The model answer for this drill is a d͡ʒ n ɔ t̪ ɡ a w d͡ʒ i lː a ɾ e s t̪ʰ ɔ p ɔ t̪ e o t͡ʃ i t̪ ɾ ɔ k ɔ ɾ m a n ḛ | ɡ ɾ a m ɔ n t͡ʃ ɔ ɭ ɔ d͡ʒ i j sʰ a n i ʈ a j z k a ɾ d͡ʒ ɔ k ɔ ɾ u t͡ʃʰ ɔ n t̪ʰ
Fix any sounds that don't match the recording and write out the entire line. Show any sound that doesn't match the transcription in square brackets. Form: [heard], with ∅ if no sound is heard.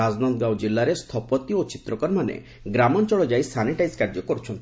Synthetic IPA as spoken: a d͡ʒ n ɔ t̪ ɡ a w d͡ʒ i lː a ɾ e s t̪ʰ ɔ p ɔ t̪ [i] o t͡ʃ i t̪ ɾ ɔ k ɔ ɾ m a n ḛ | ɡ ɾ a m ɔ n t͡ʃ ɔ ɭ ɔ d͡ʒ [a] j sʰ a n i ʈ a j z k a ɾ d͡ʒ ɔ k ɔ ɾ u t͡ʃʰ ɔ n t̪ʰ